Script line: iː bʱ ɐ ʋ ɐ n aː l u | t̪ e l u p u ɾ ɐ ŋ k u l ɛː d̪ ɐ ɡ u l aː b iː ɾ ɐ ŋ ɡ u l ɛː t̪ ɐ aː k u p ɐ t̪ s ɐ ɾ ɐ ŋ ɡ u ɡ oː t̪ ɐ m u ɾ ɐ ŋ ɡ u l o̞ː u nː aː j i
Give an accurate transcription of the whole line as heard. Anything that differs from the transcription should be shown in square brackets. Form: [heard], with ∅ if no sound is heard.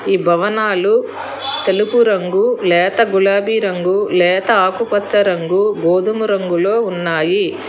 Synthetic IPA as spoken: iː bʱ ɐ ʋ ɐ n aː l u | t̪ e l u p u ɾ ɐ ŋ [ɡ] u l ɛː [t̪] ɐ ɡ u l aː b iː ɾ ɐ ŋ ɡ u l ɛː t̪ ɐ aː k u p ɐ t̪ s ɐ ɾ ɐ ŋ ɡ u ɡ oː [d̪] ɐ m u ɾ ɐ ŋ ɡ u l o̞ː u nː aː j i